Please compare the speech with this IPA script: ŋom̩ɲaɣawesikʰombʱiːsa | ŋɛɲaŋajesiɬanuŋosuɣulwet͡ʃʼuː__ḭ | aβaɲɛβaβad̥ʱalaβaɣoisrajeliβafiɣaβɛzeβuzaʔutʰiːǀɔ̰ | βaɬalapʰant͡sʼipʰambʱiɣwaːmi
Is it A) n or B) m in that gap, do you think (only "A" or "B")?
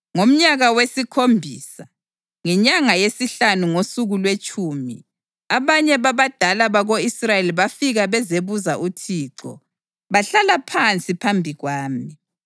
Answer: B